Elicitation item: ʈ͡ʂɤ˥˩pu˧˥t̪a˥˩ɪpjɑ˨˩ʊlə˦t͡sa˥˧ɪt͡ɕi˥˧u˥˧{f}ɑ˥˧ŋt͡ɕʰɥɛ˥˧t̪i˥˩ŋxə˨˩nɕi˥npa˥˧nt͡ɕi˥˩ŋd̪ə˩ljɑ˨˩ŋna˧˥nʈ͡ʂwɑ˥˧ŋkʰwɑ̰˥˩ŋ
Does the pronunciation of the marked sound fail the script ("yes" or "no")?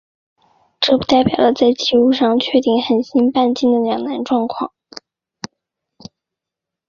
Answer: yes